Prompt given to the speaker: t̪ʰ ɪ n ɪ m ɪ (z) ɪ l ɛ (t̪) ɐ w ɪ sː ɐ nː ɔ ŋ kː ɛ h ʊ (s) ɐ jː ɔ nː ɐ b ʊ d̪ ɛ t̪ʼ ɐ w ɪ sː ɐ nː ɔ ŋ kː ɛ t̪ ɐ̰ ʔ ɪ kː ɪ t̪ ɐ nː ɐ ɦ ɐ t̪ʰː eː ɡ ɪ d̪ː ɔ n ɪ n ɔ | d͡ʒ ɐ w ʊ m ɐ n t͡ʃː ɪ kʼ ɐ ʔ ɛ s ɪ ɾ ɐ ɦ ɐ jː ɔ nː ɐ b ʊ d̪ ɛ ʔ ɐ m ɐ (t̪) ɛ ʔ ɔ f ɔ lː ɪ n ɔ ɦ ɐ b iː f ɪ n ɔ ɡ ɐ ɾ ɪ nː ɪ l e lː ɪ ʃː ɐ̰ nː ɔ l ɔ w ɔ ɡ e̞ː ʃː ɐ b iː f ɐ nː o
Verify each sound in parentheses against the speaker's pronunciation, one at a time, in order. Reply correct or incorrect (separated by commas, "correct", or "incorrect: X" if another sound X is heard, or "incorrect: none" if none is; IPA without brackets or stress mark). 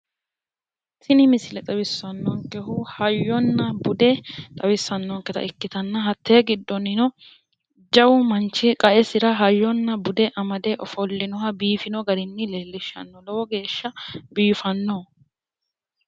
incorrect: s, incorrect: t̪ʼ, incorrect: h, incorrect: d̪